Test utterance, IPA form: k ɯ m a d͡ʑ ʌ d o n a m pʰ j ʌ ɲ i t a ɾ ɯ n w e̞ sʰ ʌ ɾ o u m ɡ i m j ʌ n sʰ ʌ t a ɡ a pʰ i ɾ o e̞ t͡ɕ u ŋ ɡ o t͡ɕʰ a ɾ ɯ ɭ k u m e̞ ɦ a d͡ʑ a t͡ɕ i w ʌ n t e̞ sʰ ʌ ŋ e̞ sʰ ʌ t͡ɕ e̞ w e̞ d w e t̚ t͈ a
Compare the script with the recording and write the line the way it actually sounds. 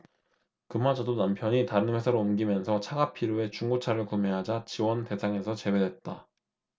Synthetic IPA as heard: k ɯ m a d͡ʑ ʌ d o n a m pʰ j ʌ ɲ i t a ɾ ɯ n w e̞ sʰ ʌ ɾ o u m ɡ i m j ʌ n sʰ ʌ t͡ɕʰ a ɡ a pʰ i ɾ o e̞ t͡ɕ u ŋ ɡ o t͡ɕʰ a ɾ ɯ ɭ k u m e̞ ɦ a d͡ʑ a t͡ɕ i w ʌ n t e̞ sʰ a ŋ e̞ sʰ ʌ t͡ɕ e̞ w e̞ d w e t̚ t͈ a